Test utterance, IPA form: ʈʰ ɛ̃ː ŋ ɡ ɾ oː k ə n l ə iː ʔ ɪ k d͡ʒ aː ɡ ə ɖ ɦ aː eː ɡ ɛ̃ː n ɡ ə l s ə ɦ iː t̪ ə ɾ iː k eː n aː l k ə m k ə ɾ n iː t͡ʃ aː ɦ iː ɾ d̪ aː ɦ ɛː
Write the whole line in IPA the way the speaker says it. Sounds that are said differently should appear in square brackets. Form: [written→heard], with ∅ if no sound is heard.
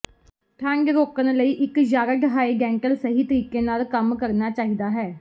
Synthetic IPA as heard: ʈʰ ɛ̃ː ŋ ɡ ɾ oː k ə n l ə iː ʔ ɪ k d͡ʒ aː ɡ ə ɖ ɦ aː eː ɡ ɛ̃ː [n→ŋ] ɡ ə l s ə ɦ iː t̪ ə ɾ iː k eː n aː l k ə m k ə ɾ n [iː→aː] t͡ʃ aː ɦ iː [ɾ→∅] d̪ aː ɦ ɛː